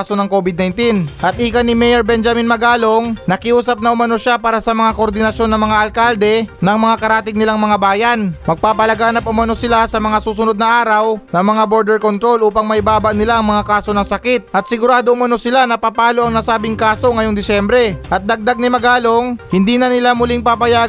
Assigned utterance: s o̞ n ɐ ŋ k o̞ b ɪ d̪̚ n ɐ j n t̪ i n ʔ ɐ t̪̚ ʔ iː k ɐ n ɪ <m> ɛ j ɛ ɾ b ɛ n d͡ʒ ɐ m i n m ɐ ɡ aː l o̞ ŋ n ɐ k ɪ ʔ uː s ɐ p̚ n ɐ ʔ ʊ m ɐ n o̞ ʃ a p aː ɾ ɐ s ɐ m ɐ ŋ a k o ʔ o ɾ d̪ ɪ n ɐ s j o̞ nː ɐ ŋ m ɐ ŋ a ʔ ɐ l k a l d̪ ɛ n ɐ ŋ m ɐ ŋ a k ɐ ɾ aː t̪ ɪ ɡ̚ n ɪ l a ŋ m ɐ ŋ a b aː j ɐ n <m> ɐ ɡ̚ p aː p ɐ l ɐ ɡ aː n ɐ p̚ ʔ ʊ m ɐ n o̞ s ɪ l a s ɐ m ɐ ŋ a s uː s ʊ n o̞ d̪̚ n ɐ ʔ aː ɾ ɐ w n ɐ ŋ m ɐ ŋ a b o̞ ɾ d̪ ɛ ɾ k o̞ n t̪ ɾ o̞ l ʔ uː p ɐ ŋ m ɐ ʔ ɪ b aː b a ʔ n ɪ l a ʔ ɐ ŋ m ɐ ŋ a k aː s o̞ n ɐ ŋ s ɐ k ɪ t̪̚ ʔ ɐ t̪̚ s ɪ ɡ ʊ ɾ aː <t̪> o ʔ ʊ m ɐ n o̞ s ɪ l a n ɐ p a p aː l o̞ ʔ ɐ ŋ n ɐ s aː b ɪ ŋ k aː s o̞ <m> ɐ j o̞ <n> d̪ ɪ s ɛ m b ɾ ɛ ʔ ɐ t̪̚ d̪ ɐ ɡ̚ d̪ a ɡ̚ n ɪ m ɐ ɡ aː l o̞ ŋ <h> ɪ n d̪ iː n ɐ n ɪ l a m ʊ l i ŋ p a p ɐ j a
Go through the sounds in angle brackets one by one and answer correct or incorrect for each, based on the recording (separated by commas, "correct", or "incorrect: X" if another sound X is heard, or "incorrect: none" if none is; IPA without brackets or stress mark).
correct, correct, incorrect: d̪, incorrect: ŋ, incorrect: ŋ, correct